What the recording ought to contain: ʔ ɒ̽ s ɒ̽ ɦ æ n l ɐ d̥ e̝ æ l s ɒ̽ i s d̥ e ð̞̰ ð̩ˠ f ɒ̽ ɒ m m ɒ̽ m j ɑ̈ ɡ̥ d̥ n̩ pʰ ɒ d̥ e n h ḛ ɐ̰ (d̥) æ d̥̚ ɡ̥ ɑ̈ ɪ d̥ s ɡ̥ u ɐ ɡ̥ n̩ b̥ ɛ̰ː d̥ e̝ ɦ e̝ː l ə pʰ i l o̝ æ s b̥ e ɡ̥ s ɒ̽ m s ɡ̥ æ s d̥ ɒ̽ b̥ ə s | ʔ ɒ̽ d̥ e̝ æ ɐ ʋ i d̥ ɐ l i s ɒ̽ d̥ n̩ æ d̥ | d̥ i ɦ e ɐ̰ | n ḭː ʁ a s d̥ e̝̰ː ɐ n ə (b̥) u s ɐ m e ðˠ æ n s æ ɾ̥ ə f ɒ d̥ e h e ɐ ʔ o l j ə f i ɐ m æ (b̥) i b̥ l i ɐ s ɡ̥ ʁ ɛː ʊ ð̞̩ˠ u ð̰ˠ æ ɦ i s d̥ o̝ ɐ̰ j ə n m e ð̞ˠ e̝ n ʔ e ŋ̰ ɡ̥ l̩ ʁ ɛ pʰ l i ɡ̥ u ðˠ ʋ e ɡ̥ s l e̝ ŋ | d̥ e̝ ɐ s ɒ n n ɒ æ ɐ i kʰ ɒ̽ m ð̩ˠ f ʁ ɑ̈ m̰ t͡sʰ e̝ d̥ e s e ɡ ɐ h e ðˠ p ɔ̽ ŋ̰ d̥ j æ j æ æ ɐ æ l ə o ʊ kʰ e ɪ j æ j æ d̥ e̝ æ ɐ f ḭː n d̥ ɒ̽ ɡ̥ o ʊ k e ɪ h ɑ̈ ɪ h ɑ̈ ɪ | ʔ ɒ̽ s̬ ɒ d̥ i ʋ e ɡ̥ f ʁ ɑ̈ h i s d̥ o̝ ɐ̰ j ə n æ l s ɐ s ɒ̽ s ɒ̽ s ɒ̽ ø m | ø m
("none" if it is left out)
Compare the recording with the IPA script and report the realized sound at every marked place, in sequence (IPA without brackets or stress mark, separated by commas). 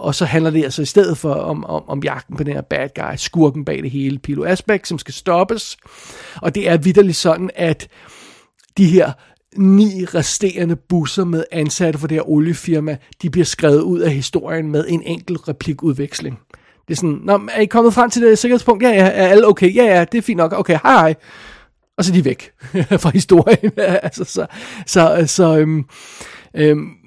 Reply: b̥, b̥, d̥